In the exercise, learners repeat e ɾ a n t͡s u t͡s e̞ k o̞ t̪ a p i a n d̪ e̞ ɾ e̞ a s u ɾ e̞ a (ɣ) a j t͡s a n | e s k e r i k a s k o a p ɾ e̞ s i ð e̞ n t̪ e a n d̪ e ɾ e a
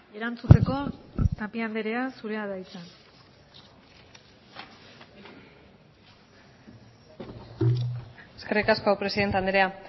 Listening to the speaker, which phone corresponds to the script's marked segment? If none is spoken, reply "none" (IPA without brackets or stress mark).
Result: ð